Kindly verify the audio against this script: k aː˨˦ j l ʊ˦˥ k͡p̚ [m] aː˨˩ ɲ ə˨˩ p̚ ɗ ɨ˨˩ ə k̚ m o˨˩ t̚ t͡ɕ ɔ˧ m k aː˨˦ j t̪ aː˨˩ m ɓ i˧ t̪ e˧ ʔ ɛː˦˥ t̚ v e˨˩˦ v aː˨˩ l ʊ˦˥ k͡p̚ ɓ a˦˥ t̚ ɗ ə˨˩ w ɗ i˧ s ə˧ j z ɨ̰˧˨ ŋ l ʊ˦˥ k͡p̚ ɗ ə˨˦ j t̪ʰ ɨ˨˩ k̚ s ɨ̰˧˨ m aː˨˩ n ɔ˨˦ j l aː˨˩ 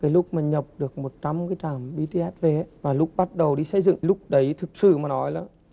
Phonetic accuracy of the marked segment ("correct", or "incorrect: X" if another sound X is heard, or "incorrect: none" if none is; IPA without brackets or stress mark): correct